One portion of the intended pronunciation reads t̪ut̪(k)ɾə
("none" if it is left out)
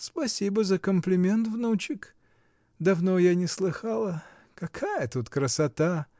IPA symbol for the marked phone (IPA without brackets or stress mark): k